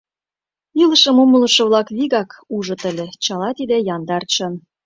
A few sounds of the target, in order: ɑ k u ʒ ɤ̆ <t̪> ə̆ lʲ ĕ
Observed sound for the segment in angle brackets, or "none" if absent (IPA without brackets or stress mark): t̪